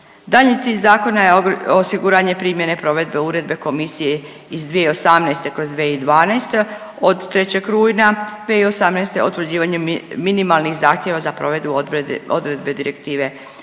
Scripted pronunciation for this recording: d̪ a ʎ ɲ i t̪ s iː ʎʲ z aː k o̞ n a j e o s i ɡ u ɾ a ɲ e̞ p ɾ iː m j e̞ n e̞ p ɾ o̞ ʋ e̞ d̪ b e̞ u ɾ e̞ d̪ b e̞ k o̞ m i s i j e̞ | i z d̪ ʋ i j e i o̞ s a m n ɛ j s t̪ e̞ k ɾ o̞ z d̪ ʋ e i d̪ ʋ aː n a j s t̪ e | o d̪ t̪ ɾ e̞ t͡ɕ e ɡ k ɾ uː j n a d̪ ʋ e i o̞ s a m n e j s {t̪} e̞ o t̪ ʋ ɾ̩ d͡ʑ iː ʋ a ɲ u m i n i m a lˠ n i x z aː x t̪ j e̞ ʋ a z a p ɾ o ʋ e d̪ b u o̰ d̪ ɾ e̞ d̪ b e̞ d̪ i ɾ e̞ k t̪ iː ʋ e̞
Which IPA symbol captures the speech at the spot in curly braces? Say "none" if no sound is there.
t̪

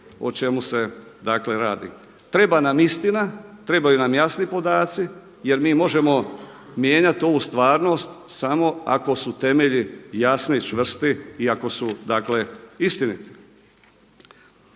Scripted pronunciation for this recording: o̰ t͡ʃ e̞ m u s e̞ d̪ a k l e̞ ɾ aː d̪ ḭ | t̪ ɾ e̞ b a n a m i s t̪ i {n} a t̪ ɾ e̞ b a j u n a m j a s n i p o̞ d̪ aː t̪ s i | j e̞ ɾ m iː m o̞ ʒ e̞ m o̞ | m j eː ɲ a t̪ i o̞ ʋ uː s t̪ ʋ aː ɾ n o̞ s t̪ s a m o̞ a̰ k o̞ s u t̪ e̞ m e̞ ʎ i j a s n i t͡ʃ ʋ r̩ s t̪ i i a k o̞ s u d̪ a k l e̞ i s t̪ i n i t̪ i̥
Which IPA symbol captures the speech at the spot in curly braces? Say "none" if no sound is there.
n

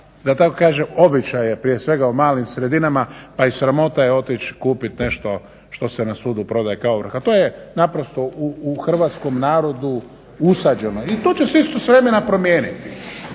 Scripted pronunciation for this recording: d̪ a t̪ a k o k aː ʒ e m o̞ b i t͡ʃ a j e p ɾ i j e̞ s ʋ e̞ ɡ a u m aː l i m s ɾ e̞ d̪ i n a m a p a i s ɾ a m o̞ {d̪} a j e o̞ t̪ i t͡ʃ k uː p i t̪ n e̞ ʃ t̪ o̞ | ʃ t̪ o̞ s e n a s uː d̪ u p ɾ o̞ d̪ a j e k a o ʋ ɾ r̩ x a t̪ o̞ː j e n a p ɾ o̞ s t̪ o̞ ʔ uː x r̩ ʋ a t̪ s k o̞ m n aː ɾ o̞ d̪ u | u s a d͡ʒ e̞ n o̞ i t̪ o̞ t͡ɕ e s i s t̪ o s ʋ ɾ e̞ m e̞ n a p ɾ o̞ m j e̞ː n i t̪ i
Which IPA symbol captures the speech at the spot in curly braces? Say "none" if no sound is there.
t̪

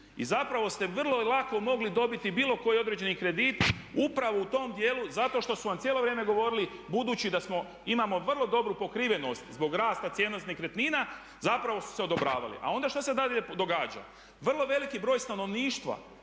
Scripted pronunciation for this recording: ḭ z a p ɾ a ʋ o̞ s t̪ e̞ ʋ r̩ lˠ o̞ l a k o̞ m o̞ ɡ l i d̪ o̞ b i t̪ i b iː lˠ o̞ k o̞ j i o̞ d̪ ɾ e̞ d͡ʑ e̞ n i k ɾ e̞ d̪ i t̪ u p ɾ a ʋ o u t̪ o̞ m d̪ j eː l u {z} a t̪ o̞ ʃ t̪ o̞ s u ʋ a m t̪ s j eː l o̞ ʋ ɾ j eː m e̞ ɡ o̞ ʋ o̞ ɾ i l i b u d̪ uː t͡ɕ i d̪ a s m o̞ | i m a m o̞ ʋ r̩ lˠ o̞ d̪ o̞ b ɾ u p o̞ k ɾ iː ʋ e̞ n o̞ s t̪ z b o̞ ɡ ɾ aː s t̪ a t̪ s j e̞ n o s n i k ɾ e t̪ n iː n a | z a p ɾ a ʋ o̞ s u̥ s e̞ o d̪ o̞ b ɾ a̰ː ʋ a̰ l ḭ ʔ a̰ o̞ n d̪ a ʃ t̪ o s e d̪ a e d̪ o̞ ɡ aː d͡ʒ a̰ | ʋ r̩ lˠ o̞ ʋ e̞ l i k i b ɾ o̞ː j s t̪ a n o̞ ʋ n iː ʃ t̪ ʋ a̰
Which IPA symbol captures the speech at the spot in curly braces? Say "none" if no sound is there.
z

